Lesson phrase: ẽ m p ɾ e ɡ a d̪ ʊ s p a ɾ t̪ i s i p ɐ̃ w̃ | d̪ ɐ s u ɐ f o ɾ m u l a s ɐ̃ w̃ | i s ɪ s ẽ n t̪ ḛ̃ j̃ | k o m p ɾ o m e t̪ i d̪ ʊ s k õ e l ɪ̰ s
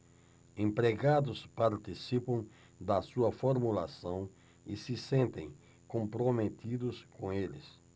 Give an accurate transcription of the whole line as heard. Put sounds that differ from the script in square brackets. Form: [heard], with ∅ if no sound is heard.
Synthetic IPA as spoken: ẽ m p ɾ e ɡ a d̪ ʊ s p a ɾ t̪ i s i p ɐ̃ w̃ | d̪ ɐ s u ɐ f o ɾ m u l a s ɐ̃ w̃ | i s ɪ s ẽ n t̪ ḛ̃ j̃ | k [õ] m p ɾ o m e t̪ i d̪ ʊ s k õ e l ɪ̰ s